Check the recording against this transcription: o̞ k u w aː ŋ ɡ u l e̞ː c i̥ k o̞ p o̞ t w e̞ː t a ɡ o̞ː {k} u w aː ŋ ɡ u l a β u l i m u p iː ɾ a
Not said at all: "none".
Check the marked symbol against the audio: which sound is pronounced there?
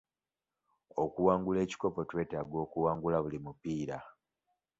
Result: k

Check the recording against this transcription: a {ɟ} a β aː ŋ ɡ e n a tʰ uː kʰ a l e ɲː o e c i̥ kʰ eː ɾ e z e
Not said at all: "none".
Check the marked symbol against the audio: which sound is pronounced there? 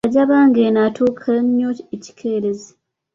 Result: ɟ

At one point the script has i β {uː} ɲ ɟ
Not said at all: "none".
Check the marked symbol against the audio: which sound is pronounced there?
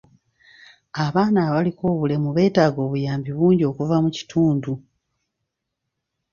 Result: uː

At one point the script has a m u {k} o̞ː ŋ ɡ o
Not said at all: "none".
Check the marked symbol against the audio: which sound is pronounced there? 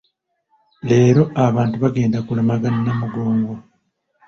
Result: ɡ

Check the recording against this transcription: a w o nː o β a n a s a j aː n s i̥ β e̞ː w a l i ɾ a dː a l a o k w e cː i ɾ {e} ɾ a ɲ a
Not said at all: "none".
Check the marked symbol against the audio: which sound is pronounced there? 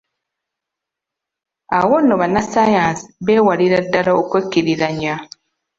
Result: i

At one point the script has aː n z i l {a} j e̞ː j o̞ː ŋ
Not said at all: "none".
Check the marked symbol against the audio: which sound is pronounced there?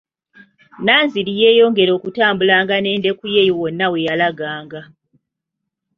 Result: i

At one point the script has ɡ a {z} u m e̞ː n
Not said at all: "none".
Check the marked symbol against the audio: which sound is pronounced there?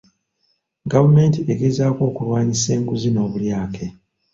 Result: v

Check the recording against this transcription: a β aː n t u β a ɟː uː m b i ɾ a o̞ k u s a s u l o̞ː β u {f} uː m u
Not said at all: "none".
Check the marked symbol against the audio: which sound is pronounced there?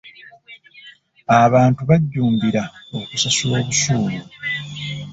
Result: s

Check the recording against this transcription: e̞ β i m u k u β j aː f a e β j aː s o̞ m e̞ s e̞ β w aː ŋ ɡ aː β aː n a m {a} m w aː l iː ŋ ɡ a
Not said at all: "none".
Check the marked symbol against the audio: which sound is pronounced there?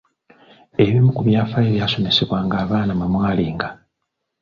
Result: a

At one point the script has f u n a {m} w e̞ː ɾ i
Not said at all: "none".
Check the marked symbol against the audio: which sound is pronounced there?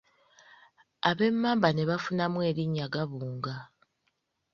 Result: m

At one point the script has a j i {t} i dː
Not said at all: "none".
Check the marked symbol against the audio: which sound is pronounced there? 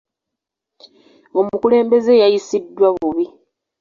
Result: s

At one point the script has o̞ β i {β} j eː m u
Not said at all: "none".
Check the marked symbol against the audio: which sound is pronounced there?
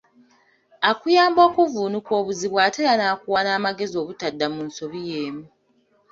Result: none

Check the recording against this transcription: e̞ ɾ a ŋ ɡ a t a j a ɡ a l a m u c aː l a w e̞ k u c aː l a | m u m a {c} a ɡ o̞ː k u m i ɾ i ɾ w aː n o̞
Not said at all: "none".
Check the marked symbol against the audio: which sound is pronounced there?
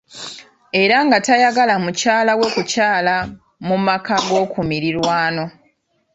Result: k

